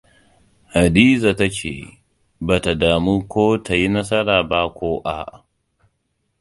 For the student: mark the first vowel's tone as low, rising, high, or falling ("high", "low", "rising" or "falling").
low